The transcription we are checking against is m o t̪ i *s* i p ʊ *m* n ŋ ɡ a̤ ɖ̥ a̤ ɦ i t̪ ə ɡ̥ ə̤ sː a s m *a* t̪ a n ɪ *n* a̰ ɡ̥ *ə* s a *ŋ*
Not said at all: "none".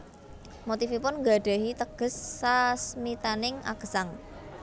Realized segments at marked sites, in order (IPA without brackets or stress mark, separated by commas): f, none, i, ŋ, ə, ŋ